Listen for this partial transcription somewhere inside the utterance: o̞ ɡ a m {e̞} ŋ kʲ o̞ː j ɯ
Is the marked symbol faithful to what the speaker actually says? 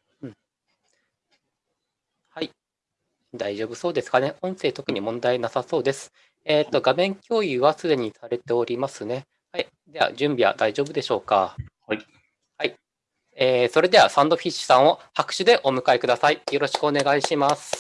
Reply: no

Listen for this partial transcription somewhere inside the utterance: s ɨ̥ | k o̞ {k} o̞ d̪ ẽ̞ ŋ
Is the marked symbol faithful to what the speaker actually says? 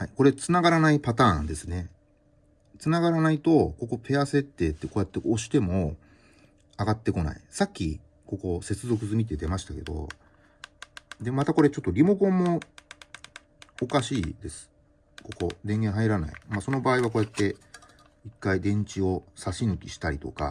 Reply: yes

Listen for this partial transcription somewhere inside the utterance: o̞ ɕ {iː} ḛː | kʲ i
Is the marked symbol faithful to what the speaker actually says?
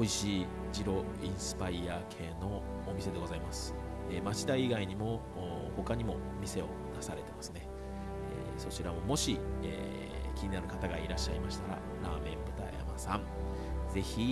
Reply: no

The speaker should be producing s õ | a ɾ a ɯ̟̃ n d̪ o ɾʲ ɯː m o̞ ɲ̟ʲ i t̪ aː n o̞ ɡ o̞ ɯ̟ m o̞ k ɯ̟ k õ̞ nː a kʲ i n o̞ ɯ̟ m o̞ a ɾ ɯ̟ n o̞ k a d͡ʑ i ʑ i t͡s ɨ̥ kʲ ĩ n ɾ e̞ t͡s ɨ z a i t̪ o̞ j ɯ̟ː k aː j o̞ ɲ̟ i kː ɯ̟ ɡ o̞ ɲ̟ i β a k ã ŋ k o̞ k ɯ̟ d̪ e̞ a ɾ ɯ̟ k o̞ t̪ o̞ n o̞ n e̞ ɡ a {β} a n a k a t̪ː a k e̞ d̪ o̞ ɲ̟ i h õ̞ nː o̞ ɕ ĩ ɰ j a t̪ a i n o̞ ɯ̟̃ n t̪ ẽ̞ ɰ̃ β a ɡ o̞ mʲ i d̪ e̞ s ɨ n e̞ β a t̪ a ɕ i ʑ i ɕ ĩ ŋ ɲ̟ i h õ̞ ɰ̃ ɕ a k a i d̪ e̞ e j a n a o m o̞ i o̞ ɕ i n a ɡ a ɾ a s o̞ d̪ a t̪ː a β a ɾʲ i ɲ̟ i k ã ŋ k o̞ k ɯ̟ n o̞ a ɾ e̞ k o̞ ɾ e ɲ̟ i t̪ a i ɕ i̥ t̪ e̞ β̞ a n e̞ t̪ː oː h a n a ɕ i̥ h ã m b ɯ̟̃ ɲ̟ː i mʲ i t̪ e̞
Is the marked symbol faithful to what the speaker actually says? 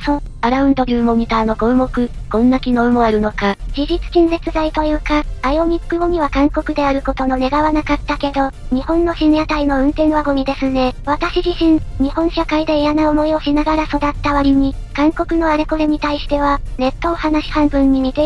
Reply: yes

